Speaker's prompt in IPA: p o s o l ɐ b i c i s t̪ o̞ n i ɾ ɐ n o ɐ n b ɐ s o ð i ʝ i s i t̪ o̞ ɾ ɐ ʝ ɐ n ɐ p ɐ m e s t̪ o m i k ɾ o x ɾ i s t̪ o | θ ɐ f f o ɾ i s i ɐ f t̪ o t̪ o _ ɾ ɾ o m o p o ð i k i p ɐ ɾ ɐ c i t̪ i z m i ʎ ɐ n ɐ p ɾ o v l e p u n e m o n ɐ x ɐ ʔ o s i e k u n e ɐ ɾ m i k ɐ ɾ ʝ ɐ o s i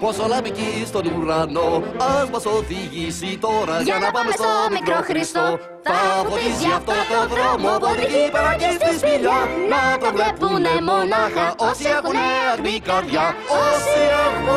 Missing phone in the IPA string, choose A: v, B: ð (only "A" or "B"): B